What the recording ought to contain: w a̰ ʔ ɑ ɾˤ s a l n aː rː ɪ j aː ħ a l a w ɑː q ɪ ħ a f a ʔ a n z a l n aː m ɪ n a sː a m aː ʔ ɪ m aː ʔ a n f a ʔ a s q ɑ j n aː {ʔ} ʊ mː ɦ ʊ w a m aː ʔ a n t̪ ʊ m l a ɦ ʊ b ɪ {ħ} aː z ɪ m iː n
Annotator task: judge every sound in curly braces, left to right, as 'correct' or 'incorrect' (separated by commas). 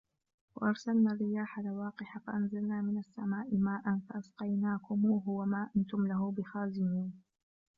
incorrect, incorrect